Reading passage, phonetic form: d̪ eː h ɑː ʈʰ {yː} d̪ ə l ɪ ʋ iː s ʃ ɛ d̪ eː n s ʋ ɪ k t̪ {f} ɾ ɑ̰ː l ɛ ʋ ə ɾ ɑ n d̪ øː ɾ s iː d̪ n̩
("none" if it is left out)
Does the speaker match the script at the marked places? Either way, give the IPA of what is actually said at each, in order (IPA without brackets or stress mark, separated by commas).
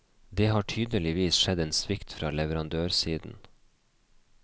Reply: yː, f